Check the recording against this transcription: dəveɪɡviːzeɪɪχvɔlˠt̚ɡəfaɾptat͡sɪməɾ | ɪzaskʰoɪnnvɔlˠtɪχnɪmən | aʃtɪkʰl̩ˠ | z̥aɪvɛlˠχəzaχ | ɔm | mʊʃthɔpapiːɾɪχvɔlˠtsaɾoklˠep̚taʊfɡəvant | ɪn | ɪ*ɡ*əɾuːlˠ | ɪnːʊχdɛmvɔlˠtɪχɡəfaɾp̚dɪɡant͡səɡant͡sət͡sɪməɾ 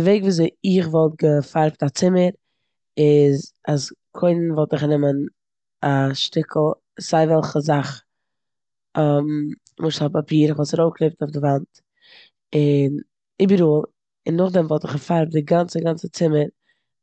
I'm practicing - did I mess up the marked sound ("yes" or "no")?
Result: yes